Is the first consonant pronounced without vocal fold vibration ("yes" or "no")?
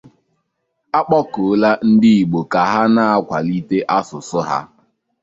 yes